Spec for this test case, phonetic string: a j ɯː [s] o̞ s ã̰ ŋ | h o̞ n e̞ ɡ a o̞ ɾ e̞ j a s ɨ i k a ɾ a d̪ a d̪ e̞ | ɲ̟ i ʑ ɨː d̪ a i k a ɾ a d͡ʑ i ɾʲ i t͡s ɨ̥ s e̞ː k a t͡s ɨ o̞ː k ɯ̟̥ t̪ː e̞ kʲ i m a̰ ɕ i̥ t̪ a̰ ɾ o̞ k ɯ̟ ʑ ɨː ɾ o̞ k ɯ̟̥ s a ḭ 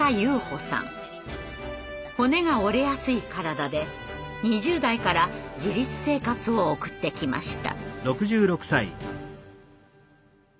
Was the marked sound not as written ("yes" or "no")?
yes